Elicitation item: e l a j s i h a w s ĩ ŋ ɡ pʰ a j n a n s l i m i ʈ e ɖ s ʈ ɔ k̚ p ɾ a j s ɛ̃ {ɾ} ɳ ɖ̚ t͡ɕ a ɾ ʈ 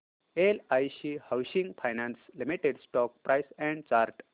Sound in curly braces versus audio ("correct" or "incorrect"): incorrect